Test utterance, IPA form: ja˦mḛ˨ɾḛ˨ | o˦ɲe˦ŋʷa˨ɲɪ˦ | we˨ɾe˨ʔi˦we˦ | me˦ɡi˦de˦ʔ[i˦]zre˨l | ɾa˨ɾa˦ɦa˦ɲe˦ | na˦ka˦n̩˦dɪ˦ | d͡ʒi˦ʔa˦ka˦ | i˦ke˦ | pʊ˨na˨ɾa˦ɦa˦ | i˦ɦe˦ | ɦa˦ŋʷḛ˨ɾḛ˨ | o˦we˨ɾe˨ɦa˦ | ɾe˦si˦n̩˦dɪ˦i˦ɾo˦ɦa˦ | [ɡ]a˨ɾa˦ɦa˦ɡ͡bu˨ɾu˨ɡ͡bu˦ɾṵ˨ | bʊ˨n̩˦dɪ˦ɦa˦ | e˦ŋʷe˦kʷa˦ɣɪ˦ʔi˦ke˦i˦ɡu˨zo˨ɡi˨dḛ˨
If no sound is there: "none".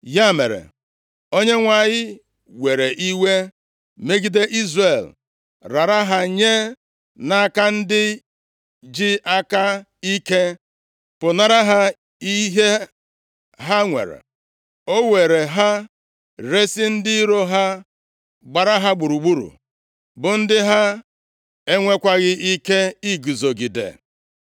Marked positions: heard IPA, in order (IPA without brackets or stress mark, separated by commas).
i˦, ɡ͡b